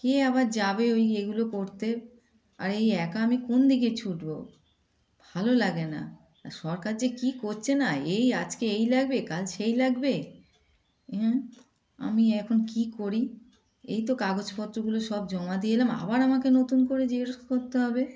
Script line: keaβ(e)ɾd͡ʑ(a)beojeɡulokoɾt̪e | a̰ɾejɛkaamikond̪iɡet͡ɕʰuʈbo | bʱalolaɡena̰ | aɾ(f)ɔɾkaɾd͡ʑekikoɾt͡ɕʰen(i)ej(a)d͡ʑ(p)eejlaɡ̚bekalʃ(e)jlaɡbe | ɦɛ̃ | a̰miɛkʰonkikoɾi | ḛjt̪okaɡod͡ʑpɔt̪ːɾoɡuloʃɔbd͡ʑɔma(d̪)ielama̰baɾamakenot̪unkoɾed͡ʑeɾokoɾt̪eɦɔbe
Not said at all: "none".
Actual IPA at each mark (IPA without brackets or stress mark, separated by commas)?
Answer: a, a, ʃ, a, a, k, e, d̪